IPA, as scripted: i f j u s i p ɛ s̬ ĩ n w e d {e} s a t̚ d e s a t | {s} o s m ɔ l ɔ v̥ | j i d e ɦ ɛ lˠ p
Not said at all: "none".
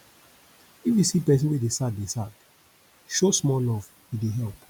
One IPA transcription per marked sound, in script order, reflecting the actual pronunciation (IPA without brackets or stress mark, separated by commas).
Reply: e, ʃ